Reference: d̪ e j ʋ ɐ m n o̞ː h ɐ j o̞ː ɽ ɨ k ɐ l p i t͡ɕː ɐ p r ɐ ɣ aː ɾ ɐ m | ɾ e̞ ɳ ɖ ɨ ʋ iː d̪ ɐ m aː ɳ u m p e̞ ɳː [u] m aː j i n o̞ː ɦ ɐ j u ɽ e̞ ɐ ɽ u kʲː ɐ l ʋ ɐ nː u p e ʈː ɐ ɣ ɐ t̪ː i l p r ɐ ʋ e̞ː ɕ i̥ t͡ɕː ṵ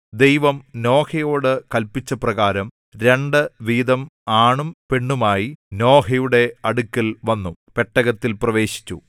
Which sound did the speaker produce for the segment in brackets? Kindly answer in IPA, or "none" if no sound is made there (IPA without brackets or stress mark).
u